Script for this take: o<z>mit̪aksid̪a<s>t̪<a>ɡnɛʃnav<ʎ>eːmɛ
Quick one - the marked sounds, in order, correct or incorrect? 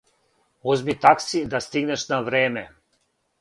correct, correct, incorrect: i, incorrect: ɾ

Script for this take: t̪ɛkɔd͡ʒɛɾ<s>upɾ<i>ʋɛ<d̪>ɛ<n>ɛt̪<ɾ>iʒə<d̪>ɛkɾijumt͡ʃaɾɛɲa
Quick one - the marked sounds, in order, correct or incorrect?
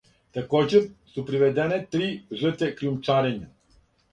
correct, correct, correct, correct, correct, incorrect: t̪

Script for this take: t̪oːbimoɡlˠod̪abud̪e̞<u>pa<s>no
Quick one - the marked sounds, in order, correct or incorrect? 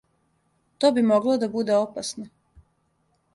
incorrect: o, correct

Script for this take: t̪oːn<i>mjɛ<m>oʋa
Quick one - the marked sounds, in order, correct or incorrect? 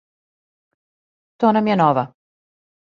incorrect: a, incorrect: n

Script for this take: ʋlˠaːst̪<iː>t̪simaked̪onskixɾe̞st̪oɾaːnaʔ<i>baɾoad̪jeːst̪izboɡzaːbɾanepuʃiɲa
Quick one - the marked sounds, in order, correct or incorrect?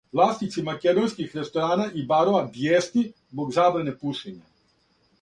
incorrect: i, correct

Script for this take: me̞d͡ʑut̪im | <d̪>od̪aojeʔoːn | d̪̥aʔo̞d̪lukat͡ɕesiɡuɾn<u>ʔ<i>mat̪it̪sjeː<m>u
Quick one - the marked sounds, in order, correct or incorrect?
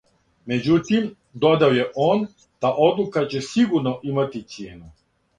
correct, incorrect: o, correct, incorrect: n

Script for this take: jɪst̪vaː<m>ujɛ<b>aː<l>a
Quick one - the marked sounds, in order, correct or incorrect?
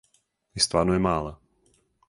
incorrect: n, incorrect: m, correct

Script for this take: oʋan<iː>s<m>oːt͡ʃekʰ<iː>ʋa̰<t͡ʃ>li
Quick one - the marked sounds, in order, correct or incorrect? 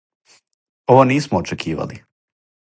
correct, correct, correct, incorrect: none

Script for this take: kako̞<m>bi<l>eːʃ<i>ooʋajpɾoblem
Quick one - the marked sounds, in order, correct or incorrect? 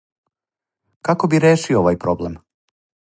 incorrect: none, incorrect: ɾ, correct

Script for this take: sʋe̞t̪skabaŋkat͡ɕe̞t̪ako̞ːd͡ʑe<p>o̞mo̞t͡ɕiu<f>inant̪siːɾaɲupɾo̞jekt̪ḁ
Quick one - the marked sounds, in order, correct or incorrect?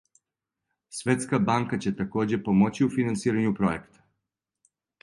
correct, correct

